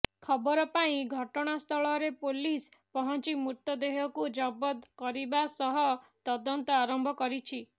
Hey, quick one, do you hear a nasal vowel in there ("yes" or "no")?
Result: yes